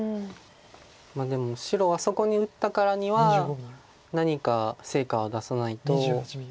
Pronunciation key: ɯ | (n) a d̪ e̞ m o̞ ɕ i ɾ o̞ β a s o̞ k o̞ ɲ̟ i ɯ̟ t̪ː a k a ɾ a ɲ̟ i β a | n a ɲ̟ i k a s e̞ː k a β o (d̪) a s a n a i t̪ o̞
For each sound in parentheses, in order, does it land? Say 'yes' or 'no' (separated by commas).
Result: no, yes